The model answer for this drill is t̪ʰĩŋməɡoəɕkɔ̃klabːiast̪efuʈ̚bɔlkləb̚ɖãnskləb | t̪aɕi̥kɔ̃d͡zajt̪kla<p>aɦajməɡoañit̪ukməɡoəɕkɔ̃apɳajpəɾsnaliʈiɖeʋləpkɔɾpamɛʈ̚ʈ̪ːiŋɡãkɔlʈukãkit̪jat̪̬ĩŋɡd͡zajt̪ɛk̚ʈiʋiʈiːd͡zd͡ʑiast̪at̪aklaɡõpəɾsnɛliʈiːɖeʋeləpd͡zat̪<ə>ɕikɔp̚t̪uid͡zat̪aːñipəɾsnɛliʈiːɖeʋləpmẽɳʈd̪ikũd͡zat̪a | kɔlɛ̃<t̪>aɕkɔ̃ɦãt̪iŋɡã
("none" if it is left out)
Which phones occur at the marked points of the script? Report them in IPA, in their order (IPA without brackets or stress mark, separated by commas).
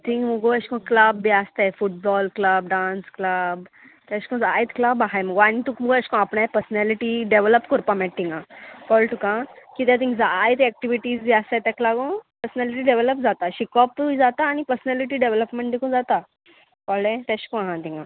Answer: b, a, t̪